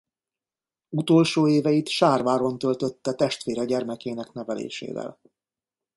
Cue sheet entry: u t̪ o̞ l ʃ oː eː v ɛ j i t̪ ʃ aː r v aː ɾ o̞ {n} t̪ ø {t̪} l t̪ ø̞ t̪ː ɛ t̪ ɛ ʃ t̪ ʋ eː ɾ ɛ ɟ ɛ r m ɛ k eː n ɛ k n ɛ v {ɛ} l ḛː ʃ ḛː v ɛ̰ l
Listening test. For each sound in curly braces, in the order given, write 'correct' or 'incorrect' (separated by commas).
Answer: correct, incorrect, correct